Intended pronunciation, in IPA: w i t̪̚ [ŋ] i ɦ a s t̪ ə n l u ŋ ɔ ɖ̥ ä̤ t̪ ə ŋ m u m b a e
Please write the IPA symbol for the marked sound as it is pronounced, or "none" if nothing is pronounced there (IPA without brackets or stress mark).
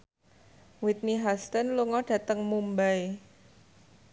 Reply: n